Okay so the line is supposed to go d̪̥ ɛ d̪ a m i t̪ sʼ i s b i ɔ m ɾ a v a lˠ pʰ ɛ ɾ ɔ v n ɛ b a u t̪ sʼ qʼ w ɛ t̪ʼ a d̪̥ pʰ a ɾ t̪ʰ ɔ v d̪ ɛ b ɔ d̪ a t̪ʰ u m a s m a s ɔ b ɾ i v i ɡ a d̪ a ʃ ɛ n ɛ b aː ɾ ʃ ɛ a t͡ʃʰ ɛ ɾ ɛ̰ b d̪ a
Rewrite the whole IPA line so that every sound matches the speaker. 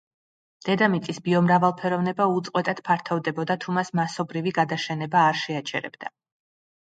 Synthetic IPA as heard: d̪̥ ɛ d̪ a m i t̪ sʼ i s b i ɔ m ɾ a v a lˠ pʰ ɛ ɾ ɔ v n ɛ b a u t̪ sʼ qʼ w ɛ t̪ʼ a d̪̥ pʰ a ɾ t̪ʰ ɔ v d̪ ɛ b ɔ d̪ a t̪ʰ u m a s m a s ɔ b ɾ i v i ɡ a d̪ a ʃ ɛ n ɛ b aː ɾ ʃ ɛ a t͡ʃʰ ɛ ɾ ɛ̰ b d̪ a